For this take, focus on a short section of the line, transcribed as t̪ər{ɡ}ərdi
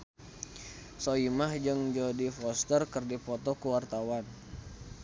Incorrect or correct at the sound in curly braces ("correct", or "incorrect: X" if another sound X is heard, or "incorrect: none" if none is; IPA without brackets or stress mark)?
incorrect: k